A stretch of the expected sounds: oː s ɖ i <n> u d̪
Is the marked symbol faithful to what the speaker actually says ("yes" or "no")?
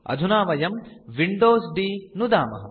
yes